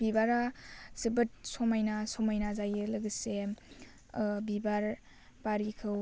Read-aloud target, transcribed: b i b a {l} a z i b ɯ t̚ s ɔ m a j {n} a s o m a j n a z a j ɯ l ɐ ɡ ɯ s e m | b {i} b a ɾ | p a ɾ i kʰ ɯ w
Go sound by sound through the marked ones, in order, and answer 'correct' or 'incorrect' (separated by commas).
incorrect, correct, correct